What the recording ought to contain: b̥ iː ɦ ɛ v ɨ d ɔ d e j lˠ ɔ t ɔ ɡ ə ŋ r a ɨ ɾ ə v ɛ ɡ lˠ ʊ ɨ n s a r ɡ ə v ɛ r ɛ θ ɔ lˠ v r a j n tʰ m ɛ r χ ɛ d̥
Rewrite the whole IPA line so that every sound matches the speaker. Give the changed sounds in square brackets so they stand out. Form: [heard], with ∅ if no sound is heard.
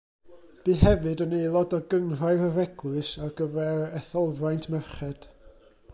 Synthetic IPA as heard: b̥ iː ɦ ɛ v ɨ d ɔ [n] e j lˠ ɔ [d] ɔ ɡ ə ŋ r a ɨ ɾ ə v ɛ ɡ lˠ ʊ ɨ [∅] s a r ɡ ə v ɛ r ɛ θ ɔ lˠ v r a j n tʰ m ɛ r χ ɛ d̥